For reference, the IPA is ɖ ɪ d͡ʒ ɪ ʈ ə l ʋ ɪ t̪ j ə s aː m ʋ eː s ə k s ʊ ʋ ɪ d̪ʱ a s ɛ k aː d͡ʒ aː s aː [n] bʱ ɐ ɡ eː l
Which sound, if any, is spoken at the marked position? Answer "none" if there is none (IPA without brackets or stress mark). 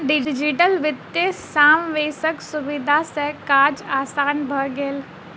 n